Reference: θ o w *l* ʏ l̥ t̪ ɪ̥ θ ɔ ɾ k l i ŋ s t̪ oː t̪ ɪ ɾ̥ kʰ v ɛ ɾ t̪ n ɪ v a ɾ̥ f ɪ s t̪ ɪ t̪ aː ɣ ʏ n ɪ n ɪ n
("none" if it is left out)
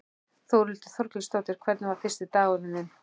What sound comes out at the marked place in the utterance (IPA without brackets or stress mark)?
ɾ